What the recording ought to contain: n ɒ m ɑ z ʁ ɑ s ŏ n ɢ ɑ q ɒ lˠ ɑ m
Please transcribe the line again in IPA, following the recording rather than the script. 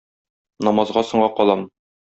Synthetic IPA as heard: n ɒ m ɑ z ʁ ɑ s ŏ ɴ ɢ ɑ q ɒ lˠ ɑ m